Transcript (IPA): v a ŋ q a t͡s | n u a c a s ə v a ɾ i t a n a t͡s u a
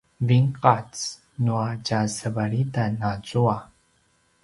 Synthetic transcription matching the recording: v i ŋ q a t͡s | n u a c a s ə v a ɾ i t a n a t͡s u a